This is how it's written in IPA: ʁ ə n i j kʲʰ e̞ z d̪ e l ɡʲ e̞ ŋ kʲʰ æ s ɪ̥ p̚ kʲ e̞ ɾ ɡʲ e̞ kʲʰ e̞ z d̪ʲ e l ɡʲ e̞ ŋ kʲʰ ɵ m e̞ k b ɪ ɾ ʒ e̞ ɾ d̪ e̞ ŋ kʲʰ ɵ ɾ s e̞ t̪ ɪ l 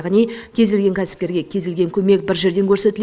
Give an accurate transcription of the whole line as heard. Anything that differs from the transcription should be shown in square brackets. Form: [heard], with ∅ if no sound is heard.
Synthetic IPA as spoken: ʁ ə n i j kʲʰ e̞ z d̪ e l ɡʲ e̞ ŋ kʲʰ æ s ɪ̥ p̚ kʲ e̞ ɾ ɡʲ e̞ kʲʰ e̞ z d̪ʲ e l ɡʲ e̞ ŋ kʲʰ ɵ m e̞ k b ɪ ɾ ʒ e̞ ɾ d̪ e̞ ŋ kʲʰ ɵ ɾ s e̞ t̪ ɪ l